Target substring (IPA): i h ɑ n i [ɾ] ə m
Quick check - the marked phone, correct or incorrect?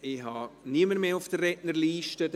incorrect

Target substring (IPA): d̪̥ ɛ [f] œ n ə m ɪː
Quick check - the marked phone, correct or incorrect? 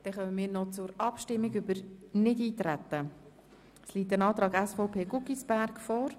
incorrect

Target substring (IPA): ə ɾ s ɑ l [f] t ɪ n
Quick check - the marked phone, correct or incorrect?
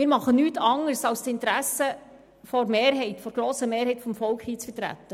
incorrect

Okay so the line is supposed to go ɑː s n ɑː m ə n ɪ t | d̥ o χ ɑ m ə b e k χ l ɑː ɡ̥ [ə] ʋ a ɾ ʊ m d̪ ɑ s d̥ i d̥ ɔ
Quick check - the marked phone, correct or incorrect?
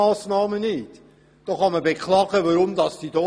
correct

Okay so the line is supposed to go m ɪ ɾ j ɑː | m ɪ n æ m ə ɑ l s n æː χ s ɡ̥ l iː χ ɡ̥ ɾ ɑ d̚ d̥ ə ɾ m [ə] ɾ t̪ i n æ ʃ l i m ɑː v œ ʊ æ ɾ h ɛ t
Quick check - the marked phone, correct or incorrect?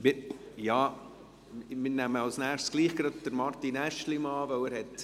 incorrect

